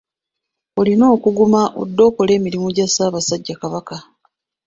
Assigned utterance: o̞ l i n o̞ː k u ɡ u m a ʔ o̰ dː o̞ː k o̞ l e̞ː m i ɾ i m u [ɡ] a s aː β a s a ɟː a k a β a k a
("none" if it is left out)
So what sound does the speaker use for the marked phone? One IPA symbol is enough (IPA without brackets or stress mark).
ɟ